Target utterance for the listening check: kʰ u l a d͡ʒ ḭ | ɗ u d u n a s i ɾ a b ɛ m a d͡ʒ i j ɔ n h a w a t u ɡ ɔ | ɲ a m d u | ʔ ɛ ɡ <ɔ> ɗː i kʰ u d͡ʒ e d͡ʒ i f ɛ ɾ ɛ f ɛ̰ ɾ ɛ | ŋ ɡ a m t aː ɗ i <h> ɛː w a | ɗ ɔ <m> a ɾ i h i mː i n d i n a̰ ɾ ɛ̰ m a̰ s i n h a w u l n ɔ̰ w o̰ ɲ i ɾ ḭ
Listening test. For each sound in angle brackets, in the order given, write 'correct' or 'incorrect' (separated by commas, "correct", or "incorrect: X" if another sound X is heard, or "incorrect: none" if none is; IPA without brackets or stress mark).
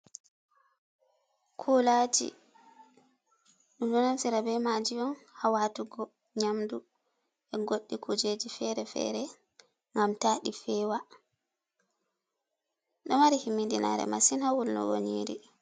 incorrect: o, incorrect: f, correct